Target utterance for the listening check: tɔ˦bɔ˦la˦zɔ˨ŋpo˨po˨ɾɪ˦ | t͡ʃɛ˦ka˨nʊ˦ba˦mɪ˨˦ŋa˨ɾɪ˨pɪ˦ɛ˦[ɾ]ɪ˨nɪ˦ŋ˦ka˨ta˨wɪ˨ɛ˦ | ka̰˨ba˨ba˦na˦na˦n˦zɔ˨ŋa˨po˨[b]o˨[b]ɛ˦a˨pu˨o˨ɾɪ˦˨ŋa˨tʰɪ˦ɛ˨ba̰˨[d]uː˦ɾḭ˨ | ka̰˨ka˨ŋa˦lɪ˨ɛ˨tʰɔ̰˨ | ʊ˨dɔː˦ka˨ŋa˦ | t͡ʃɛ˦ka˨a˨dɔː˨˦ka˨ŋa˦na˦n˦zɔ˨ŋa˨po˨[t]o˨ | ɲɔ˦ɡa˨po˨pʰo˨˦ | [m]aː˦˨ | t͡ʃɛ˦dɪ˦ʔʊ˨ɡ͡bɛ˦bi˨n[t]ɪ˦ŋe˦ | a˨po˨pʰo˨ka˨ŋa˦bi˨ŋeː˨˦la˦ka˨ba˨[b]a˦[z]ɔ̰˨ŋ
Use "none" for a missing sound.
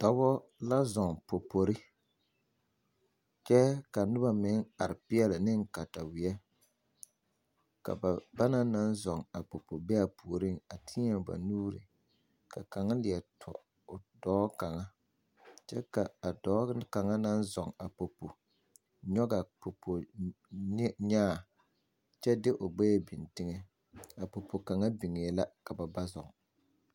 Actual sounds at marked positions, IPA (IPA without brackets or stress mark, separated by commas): l, p, b, n, p, ɲ, t, b, z